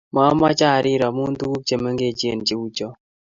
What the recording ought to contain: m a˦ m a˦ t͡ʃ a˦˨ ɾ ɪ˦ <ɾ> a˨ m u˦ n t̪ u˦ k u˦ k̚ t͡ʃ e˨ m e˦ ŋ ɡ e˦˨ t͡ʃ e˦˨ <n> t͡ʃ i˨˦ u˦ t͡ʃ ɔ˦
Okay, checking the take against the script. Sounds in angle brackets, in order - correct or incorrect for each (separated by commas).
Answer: correct, correct